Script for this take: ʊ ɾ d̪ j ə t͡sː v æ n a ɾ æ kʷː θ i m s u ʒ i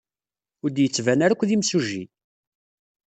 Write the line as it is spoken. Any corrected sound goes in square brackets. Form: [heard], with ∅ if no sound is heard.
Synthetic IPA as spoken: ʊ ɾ d̪ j ə t͡sː v æ n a ɾ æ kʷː [ð] i m s u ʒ i